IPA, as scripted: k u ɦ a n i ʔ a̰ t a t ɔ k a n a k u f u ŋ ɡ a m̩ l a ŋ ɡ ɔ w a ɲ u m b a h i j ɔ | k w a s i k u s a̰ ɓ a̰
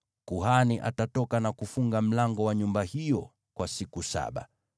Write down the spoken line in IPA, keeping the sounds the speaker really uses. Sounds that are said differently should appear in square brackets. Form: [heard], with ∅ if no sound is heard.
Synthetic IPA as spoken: k u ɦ a n i ʔ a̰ t a t ɔ k a n a k u f u ŋ ɡ a m̩ l a ŋ ɡ ɔ w a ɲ u m b a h i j ɔ | k w a s i k u s a̰ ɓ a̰